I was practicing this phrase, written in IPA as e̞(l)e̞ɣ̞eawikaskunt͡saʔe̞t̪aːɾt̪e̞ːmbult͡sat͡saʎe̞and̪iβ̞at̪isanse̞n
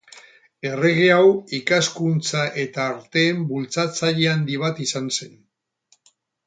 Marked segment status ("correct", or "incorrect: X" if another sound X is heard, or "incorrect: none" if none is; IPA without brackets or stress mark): incorrect: r